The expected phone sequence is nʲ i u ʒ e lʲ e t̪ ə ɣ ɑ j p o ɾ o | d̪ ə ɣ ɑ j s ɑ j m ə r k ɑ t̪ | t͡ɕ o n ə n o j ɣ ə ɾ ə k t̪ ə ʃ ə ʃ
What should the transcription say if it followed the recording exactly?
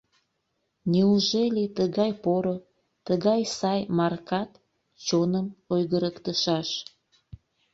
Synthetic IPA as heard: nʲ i u ʒ e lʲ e t̪ ə ɣ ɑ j p o ɾ o | t̪ ə ɣ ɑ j s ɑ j m ɑ r k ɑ t̪ | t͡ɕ o n ə m o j ɣ ə ɾ ə k t̪ ə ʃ ɑ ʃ